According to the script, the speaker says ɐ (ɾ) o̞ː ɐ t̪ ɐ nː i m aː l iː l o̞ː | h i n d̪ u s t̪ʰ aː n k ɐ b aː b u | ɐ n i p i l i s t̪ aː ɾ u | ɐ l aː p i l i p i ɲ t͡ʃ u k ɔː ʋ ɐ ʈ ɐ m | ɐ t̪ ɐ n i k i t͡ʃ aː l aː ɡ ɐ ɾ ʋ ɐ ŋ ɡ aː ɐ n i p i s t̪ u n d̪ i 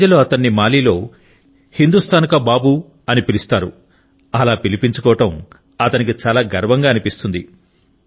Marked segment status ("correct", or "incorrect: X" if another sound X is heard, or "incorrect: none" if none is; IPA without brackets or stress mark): incorrect: l